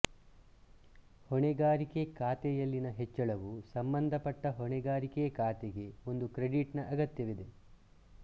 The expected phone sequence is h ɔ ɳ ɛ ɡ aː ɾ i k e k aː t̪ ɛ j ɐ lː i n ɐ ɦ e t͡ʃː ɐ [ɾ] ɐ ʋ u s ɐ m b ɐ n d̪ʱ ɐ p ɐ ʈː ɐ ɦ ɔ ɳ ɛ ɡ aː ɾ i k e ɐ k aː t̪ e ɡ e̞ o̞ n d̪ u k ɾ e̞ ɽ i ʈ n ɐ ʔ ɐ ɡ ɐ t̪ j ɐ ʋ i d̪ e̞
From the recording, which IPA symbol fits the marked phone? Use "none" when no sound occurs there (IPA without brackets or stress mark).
ɭ